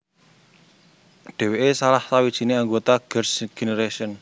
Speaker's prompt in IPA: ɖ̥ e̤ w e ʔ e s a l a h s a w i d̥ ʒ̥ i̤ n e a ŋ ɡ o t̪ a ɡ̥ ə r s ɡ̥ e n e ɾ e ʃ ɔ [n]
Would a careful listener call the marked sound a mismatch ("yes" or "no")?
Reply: no